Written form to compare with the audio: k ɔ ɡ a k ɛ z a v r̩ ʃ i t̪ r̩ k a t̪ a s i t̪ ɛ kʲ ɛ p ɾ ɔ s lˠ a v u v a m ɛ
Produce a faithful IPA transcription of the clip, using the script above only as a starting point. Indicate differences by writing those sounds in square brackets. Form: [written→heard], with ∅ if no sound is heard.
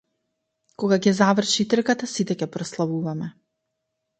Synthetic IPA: k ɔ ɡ a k ɛ z a v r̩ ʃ i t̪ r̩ k a t̪ a s i t̪ ɛ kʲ ɛ p ɾ ɔ s lˠ a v u v a m ɛ

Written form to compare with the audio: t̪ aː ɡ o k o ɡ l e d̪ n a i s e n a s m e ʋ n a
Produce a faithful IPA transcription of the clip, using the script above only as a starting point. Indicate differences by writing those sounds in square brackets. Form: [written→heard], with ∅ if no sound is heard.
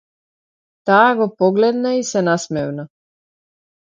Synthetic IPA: t̪ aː ɡ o [k→p] o ɡ l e d̪ n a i s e n a s m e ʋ n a

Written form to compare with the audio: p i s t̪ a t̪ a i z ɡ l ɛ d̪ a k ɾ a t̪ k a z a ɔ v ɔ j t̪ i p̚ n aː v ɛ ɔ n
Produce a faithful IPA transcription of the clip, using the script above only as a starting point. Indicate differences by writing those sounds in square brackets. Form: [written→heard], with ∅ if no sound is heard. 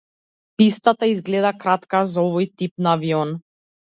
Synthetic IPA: p i s t̪ a t̪ a i z ɡ l ɛ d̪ a k ɾ a t̪ k a z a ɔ v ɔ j t̪ i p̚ n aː v [ɛ→i] ɔ n

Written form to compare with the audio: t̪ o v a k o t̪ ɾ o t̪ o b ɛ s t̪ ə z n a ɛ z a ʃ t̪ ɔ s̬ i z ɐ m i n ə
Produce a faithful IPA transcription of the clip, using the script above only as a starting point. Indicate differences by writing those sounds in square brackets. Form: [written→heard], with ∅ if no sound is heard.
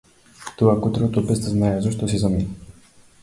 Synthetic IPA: t̪ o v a k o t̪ ɾ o t̪ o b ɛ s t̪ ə z n a ɛ z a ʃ t̪ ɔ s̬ i z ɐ m i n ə

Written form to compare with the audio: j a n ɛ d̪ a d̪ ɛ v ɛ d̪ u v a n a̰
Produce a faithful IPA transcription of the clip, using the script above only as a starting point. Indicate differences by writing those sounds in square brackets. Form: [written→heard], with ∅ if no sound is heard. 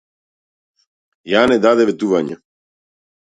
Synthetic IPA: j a n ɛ d̪ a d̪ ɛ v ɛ [d̪→t̪] u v a [n→ɲ] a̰

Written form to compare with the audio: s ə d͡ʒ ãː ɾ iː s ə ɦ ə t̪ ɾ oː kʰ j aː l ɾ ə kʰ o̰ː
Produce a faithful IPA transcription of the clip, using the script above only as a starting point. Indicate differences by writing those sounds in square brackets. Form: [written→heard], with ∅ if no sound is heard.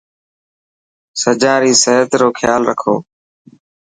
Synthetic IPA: s ə d͡ʒ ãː ɾ iː s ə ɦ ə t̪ ɾ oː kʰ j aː l ɾ ə kʰ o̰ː

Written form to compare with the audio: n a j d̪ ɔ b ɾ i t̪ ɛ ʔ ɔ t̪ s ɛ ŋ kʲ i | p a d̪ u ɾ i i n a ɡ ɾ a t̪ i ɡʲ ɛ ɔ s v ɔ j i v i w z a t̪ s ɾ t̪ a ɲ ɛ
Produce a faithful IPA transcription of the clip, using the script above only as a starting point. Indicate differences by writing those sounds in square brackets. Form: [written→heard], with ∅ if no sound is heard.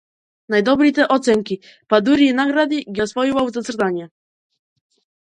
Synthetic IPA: n a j d̪ ɔ b ɾ i t̪ ɛ ʔ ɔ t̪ s ɛ ŋ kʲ i | p a d̪ u ɾ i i n a ɡ ɾ a [t̪→d̪] i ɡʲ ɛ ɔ s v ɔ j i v [i→a] w z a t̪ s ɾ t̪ a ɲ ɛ

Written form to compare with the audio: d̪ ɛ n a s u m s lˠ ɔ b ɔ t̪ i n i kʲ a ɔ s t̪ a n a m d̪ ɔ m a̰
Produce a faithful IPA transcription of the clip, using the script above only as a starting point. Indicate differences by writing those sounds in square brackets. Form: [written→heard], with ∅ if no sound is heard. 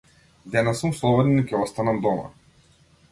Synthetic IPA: d̪ ɛ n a s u m s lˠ ɔ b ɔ [t̪→d̪] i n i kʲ [a→ɛ] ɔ s t̪ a n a m d̪ ɔ m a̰

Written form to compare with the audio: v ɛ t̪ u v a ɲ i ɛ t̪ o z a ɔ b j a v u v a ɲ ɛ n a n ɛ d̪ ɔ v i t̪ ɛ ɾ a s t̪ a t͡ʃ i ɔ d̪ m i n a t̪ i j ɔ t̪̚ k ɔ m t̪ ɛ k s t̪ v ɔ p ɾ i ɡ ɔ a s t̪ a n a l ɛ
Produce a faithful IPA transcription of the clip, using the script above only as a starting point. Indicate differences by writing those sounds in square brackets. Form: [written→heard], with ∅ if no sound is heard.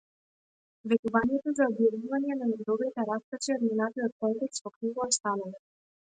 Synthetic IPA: v ɛ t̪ u v a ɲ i ɛ t̪ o z a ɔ b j a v u v a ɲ ɛ n a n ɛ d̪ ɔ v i t̪ ɛ ɾ a s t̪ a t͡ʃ i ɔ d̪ m i n a t̪ i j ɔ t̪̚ k ɔ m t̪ ɛ k s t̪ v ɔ [p→k] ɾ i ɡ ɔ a s t̪ a n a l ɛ

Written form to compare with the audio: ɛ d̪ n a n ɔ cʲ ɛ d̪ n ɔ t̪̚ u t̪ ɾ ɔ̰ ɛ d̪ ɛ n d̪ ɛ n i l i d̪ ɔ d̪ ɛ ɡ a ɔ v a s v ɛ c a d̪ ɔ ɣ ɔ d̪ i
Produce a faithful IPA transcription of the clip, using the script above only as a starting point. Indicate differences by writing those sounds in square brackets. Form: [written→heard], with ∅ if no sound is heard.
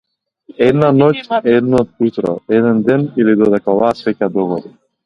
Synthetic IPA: ɛ d̪ n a n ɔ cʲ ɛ d̪ n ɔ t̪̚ u t̪ ɾ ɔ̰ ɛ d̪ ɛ n d̪ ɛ n i l i d̪ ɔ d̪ ɛ [ɡ→k] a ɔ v a s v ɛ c a d̪ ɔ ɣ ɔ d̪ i

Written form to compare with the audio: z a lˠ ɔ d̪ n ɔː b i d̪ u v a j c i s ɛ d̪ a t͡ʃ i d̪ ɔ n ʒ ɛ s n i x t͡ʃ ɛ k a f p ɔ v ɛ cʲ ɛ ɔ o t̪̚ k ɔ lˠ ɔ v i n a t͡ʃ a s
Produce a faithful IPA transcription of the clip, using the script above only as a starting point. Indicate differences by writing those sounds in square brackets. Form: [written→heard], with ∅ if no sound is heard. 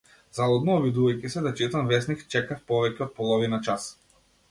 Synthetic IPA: z a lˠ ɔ d̪ n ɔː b i d̪ u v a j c i s ɛ d̪ a t͡ʃ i [d̪→t̪] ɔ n [ʒ→v] ɛ s n i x t͡ʃ ɛ k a f p ɔ v ɛ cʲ ɛ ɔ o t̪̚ [k→p] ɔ lˠ ɔ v i n a t͡ʃ a s

